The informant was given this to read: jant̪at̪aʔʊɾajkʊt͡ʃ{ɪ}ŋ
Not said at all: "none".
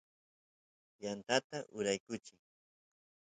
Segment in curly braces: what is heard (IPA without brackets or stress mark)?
ɪ